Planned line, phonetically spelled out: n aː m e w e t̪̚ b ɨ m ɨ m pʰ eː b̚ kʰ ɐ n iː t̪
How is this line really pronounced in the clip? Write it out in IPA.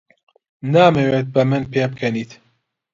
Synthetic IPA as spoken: n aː m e w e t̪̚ b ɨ m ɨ n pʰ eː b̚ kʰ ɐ n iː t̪